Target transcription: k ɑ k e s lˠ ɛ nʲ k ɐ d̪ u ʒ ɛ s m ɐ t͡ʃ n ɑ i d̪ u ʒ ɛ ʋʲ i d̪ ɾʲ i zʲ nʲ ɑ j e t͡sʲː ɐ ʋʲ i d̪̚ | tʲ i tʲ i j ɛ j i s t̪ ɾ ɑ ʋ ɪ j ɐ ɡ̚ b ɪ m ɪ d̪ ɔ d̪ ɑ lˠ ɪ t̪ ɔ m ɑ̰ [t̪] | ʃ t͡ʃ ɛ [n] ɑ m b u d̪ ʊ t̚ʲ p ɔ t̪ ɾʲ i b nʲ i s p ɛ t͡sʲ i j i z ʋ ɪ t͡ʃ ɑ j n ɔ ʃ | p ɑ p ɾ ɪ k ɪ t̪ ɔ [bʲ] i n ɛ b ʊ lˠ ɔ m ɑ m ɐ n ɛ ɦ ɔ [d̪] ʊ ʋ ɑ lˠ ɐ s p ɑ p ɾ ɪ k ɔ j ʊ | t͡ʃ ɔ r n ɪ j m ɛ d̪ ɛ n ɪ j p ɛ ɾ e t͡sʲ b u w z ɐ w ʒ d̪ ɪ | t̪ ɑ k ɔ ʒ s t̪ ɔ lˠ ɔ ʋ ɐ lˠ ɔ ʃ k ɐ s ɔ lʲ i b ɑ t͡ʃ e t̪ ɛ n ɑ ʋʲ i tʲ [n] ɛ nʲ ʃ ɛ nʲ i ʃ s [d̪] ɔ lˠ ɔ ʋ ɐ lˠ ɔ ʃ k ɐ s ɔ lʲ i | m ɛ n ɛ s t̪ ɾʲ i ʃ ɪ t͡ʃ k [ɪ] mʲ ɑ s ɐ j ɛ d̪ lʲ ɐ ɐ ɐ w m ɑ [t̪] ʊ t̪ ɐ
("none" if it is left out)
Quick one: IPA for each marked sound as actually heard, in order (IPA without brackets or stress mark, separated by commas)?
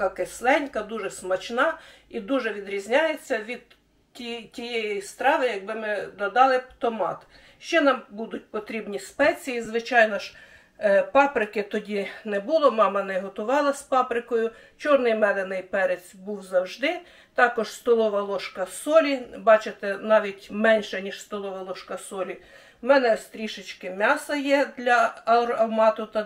t̪, n, dʲ, t̪, m, t̪, ɪ, t̪